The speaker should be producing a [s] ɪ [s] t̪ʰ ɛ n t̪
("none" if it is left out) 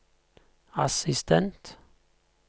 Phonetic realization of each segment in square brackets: s, s

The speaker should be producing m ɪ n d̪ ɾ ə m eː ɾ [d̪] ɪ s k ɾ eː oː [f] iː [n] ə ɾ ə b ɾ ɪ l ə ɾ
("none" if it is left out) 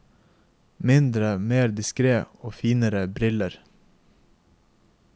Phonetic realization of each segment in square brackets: d̪, f, n

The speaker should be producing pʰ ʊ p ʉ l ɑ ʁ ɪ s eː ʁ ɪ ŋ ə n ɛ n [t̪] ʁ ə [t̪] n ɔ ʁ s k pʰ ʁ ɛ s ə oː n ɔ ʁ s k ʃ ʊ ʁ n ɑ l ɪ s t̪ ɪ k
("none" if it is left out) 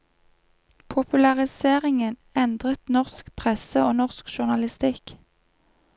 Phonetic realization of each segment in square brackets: d̪, t̪

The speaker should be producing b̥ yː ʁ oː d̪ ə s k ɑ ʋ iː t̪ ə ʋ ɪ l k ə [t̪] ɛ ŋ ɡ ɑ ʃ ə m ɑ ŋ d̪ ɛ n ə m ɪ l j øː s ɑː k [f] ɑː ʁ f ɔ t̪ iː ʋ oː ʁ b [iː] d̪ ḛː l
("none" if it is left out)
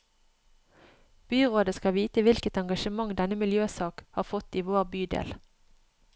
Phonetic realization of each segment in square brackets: t̪, h, yː

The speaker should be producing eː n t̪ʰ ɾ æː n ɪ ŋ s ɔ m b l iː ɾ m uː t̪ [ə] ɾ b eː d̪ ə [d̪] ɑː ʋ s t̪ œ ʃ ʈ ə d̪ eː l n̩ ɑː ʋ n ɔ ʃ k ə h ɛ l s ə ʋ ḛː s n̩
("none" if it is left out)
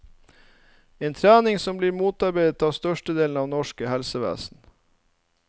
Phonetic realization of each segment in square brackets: ɑ, t̪

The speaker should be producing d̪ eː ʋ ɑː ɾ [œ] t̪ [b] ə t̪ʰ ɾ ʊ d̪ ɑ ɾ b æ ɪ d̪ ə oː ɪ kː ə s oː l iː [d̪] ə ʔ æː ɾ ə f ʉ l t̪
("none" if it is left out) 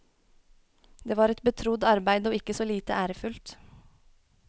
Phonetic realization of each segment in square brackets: ɛ, b, t̪

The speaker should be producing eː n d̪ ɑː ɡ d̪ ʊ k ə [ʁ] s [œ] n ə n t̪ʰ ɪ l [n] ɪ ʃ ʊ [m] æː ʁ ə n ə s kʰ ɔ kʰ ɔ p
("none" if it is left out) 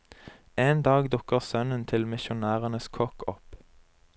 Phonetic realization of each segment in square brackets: ʁ, œ, m, n

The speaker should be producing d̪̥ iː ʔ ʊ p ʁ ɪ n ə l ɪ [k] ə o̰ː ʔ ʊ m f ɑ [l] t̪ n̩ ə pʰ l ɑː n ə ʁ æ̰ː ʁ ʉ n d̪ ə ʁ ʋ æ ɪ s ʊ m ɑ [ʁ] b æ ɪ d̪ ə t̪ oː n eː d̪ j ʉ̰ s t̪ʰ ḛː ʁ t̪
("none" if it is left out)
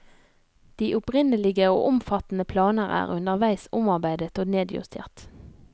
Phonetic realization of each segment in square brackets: ɡ, none, ʁ

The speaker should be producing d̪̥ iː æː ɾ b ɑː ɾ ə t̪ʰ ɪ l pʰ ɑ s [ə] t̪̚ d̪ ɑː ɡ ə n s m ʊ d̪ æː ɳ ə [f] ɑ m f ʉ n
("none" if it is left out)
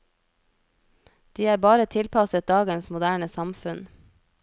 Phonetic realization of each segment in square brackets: ə, s

